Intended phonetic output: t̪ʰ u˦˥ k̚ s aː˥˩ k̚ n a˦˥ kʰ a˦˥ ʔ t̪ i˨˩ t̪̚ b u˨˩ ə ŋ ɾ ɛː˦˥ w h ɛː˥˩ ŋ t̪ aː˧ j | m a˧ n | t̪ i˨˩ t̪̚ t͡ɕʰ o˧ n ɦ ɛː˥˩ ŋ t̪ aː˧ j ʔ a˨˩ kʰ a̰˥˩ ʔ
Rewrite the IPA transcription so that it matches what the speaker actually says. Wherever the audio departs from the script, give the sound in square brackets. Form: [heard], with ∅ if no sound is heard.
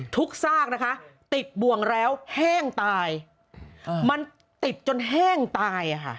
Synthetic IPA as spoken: t̪ʰ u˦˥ k̚ s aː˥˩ k̚ n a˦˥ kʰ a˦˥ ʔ t̪ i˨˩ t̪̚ b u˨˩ ə ŋ ɾ ɛː˦˥ w h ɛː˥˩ ŋ t̪ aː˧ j | m a˧ n | t̪ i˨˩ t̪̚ [t͡ɕ] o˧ n ɦ ɛː˥˩ ŋ t̪ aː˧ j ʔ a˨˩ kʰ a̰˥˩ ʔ